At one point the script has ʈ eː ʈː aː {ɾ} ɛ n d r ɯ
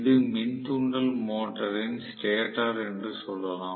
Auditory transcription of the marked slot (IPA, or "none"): ɾ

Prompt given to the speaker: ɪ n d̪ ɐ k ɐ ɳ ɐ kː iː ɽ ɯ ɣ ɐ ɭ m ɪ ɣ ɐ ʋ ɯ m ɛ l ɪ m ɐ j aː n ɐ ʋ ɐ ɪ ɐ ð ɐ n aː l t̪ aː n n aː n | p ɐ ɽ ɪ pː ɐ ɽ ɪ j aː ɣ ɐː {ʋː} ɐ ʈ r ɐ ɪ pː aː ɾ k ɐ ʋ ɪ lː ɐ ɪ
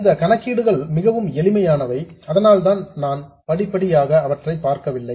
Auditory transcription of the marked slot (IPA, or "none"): ʋ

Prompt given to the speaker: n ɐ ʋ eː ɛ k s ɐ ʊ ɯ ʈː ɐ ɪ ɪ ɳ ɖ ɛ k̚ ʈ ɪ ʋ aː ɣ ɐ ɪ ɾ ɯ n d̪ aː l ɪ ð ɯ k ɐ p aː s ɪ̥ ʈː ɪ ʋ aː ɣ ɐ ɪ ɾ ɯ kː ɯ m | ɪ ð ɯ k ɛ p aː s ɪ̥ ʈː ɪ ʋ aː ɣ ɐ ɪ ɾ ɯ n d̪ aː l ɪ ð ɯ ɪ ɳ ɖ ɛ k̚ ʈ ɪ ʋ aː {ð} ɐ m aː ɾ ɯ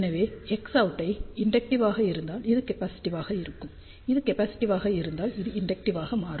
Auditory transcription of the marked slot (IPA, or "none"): ɣ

